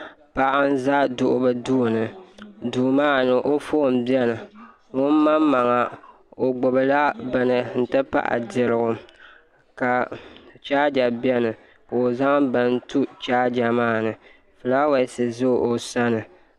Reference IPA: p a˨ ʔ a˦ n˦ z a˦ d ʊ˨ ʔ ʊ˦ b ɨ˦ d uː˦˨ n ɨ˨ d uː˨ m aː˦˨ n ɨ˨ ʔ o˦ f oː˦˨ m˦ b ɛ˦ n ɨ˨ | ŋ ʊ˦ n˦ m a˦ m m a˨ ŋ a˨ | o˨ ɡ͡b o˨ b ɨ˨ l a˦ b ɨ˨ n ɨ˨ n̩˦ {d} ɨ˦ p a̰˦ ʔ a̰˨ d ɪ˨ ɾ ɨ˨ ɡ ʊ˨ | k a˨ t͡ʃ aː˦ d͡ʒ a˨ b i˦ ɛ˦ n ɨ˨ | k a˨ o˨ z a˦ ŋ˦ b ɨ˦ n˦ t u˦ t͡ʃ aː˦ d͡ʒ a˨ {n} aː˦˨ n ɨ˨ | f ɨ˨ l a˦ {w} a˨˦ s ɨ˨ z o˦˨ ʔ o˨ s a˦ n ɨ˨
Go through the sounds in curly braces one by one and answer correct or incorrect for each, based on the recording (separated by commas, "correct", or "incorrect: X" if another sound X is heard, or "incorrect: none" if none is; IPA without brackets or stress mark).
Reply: incorrect: t, incorrect: m, correct